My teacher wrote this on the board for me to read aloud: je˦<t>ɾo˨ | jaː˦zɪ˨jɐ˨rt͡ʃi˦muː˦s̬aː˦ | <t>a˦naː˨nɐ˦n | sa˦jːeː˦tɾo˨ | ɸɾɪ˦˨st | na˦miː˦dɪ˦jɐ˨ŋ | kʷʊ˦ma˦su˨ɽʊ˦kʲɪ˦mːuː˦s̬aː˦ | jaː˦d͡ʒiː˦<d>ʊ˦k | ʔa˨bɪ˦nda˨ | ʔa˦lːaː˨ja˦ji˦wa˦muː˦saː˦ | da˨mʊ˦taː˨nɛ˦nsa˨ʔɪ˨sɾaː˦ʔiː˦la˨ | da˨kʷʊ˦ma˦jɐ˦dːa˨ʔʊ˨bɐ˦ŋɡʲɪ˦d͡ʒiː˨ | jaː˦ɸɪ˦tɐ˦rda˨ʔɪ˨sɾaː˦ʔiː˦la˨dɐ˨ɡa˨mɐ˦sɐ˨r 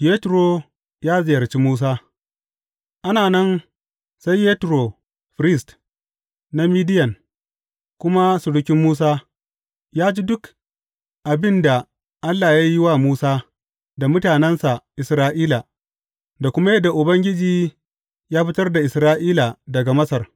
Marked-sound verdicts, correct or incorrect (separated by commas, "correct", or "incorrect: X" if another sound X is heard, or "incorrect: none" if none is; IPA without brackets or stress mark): correct, incorrect: ʔ, correct